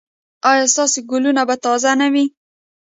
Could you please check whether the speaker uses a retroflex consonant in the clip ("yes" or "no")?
no